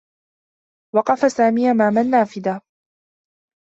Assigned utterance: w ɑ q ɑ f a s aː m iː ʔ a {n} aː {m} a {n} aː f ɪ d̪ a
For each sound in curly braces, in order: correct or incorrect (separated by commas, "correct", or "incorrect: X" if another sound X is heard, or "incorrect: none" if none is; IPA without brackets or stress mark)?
incorrect: m, correct, incorrect: nː